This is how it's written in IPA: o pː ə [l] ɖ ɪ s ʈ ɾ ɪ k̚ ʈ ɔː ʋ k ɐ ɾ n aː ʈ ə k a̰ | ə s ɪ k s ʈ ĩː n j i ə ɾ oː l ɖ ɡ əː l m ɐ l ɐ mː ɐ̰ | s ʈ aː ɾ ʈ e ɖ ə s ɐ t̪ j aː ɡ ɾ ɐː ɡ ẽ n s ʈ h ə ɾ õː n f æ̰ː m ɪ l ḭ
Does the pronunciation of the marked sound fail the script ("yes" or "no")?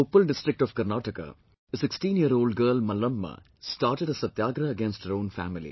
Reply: no